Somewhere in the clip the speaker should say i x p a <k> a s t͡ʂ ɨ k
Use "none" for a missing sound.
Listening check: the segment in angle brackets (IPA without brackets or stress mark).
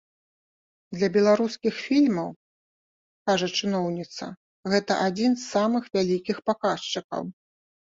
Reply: k